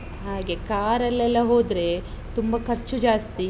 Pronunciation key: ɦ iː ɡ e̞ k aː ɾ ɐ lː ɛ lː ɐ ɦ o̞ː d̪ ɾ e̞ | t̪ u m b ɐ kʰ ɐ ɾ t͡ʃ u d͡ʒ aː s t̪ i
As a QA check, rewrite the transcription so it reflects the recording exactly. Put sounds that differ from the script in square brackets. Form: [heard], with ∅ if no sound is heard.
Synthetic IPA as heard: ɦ [aː] ɡ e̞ k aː ɾ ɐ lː ɛ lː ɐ ɦ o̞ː d̪ ɾ e̞ | t̪ u m b ɐ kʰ ɐ ɾ t͡ʃ u d͡ʒ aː s t̪ i